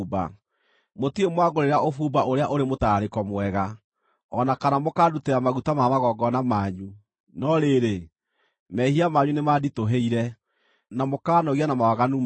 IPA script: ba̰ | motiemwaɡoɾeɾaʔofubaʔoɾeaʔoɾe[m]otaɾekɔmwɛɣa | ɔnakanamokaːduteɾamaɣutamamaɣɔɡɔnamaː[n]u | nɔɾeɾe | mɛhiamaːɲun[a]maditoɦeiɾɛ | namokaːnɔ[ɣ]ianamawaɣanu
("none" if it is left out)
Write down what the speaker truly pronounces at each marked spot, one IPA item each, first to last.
m, ɲ, e, ɣ

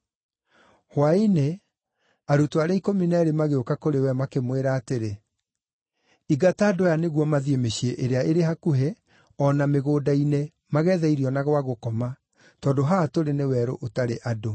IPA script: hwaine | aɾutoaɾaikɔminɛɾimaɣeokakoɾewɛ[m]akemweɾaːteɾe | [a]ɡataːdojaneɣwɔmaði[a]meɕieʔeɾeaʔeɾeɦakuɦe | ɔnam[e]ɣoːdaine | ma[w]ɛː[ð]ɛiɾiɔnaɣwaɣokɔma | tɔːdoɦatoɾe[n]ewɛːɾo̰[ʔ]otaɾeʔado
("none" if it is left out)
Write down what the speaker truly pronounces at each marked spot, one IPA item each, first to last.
m, i, e, e, ɣ, ð, n, ʔ

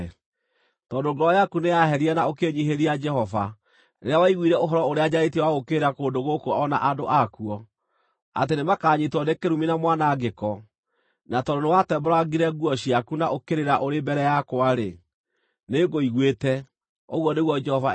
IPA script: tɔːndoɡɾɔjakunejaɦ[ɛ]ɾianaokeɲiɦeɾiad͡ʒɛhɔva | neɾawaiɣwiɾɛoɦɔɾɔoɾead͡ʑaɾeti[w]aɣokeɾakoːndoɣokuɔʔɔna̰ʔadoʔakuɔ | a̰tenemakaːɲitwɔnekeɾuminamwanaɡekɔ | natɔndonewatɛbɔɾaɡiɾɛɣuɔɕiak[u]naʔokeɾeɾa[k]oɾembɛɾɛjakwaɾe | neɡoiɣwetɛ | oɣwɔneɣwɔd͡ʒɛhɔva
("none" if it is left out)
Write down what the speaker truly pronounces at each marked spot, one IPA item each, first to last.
ɛ, w, u, ʔ

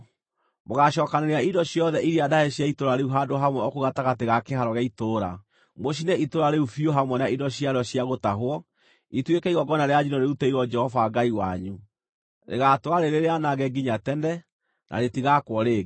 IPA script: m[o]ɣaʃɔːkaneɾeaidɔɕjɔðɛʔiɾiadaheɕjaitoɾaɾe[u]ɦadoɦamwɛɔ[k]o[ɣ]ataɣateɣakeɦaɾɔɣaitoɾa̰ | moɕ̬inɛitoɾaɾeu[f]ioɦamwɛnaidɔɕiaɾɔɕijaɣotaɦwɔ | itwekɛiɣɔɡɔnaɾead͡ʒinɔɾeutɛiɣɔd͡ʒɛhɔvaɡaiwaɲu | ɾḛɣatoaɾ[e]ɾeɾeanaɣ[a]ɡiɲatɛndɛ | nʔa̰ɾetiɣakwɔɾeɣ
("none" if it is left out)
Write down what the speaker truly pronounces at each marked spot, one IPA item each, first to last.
o, u, k, ɣ, f, e, ɛ

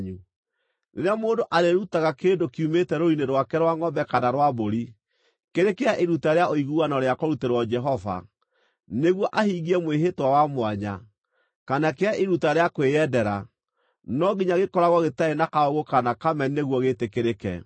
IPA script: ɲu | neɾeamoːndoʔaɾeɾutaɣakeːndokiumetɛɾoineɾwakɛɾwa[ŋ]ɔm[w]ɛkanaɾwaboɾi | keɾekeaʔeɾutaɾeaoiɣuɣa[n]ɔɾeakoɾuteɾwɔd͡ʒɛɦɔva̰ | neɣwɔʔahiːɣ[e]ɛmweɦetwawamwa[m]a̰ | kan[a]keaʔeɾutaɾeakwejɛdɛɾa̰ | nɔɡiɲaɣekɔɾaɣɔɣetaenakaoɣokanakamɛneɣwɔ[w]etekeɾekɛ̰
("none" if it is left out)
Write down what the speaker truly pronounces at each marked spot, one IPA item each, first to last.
ŋ, b, n, i, ɲ, a, ɣ

